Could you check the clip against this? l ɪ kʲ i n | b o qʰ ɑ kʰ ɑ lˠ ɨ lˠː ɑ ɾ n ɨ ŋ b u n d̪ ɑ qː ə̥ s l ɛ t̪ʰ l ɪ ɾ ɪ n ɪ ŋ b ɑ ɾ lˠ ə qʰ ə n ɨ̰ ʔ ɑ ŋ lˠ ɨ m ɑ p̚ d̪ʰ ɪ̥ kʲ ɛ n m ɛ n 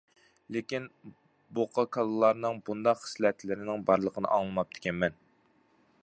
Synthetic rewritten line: l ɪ kʲ i n | b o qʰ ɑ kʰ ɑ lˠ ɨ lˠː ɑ ɾ n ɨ ŋ b u n d̪ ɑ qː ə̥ s l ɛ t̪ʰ l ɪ ɾ ɪ n ɪ ŋ b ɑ ɾ lˠ ə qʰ ə n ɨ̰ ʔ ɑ ŋ lˠ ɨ m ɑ p̚ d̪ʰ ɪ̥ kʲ ɛ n m ɛ n